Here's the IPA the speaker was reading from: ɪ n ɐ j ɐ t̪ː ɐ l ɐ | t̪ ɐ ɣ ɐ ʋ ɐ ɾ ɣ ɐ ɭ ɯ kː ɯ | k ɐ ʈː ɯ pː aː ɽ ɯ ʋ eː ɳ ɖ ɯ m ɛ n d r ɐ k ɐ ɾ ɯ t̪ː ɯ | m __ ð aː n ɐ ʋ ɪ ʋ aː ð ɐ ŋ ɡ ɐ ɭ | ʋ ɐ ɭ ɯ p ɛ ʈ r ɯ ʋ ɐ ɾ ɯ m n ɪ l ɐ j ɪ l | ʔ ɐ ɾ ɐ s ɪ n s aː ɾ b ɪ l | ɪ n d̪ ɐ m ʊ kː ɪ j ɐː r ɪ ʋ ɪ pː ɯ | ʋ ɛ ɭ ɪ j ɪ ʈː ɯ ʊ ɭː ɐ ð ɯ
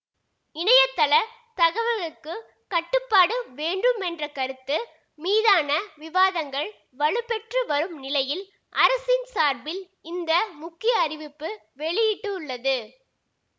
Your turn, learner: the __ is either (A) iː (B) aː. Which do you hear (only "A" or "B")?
A